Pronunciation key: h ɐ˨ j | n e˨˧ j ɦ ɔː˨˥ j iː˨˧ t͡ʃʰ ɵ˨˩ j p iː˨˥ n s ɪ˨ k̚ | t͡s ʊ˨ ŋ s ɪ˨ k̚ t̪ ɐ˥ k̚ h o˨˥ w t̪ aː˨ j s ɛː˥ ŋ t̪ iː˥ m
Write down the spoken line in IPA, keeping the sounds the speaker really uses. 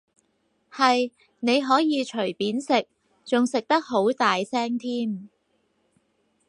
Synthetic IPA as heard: h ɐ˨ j | n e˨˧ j ɦ ɔː˨˥ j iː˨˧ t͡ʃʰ ɵ˨˩ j p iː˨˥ n s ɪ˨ k̚ | t͡s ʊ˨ ŋ s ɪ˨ k̚ t̪ ɐ˥ k̚ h o˨˥ w t̪ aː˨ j s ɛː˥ ŋ t̪ʰ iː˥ m